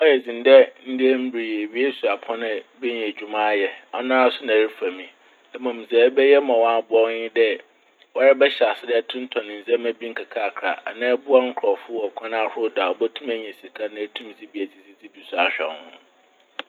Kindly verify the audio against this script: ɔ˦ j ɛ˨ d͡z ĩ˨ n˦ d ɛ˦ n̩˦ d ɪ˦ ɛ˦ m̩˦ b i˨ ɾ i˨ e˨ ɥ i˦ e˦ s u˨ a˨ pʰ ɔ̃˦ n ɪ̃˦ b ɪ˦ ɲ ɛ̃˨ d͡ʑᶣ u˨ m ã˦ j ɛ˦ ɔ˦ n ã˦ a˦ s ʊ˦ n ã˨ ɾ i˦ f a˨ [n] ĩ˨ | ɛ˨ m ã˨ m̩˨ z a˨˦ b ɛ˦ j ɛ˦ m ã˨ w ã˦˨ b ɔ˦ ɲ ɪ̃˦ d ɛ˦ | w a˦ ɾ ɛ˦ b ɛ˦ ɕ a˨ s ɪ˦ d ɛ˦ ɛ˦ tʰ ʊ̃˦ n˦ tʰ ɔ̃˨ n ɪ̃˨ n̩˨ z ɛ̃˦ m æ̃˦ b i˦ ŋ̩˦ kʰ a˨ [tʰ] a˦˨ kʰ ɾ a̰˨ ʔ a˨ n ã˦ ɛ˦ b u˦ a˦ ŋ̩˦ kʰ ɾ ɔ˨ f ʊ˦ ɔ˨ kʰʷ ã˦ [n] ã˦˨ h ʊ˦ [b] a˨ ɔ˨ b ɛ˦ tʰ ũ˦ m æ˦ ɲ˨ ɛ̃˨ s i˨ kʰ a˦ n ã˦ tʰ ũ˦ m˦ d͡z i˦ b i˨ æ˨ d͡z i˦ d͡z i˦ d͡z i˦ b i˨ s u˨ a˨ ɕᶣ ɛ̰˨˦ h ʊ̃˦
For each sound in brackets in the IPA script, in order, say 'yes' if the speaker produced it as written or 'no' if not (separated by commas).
no, no, yes, no